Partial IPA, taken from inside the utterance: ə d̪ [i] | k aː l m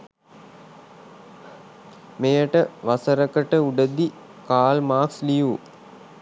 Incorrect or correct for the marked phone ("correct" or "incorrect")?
correct